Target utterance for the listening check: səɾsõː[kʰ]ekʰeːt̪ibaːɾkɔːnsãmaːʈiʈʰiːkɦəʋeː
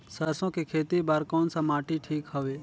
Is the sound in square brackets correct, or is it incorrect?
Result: incorrect